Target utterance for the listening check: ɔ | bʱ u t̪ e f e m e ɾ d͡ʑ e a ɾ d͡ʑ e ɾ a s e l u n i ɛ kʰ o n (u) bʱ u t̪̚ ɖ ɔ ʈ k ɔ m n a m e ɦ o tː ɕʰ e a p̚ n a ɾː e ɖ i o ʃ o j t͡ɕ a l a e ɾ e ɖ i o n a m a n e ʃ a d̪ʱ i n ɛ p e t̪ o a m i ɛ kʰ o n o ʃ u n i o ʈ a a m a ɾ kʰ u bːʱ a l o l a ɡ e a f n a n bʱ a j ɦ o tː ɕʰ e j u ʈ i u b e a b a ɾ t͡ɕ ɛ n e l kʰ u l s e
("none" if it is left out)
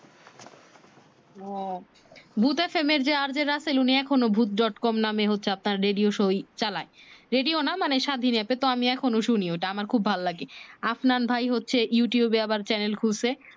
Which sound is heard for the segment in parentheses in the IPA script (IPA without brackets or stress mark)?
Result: o